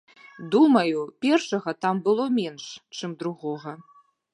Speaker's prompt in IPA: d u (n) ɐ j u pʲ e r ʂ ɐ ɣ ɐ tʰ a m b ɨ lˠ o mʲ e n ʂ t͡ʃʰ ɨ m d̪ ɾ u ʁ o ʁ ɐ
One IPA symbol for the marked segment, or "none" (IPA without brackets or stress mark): m